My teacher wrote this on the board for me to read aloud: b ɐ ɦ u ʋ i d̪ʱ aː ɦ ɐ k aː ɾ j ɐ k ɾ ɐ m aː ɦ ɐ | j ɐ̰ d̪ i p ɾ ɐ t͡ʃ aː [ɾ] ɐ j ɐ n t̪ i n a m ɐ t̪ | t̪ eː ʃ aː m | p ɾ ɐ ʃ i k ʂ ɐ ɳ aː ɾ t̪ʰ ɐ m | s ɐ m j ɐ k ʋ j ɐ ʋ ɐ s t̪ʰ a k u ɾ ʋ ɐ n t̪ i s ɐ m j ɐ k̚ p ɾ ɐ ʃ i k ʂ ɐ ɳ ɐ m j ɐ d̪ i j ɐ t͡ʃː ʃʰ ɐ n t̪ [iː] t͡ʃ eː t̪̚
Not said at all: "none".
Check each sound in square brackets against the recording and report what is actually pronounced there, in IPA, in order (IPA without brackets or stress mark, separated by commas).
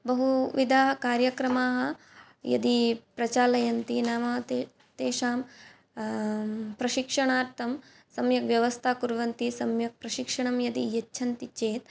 l, i